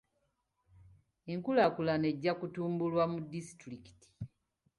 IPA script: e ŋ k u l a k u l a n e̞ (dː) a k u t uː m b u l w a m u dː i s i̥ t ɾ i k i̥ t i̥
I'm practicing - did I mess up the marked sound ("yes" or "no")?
yes